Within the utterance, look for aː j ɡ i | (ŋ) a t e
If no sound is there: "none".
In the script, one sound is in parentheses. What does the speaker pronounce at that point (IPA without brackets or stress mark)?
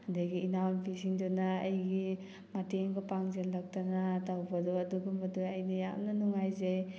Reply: m